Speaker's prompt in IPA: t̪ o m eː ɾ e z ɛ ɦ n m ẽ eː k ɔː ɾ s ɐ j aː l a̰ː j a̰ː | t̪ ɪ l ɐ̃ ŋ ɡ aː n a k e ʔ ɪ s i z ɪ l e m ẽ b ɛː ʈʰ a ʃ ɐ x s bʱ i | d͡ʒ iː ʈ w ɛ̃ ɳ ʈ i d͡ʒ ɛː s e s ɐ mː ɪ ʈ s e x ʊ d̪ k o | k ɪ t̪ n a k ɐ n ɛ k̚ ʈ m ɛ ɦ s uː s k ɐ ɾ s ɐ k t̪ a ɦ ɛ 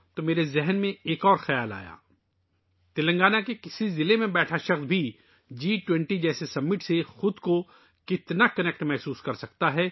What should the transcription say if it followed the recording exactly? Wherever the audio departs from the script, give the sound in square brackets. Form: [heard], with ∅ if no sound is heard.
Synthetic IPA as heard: t̪ o m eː ɾ e z ɛ ɦ n m ẽ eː k ɔː ɾ [x] ɐ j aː l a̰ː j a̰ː | t̪ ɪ l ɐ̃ ŋ ɡ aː n a k e [k] ɪ s i z ɪ l e m ẽ b ɛː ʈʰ a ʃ ɐ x s bʱ i | d͡ʒ iː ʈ w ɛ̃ ɳ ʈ i d͡ʒ ɛː s e s ɐ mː ɪ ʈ s e x ʊ d̪ k o | k ɪ t̪ n a k ɐ n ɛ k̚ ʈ m ɛ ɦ s uː s k ɐ ɾ s ɐ k t̪ a ɦ ɛ